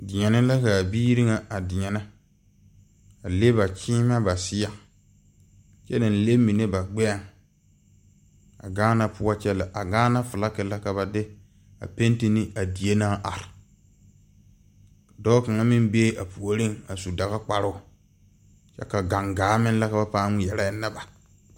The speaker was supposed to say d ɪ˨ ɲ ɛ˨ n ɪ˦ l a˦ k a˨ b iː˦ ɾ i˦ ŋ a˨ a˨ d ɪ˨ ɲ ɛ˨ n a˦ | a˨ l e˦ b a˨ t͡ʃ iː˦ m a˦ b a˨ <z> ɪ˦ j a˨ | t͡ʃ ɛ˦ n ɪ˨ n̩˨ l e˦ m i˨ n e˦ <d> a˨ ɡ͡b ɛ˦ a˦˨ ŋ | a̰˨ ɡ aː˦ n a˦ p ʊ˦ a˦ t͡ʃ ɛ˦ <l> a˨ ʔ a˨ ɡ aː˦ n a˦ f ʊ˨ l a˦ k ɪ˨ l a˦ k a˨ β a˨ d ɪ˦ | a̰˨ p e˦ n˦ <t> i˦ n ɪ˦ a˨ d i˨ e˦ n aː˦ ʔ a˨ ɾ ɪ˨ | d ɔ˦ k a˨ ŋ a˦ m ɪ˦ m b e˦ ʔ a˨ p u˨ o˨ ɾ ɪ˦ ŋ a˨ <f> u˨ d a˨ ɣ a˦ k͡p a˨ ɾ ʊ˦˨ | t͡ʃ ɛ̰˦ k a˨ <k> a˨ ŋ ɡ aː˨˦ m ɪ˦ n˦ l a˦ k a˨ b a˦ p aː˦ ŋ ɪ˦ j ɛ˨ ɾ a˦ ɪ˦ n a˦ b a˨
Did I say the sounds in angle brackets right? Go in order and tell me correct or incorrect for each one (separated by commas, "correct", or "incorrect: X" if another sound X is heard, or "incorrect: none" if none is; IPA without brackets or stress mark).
incorrect: s, incorrect: b, correct, correct, incorrect: s, incorrect: ɡ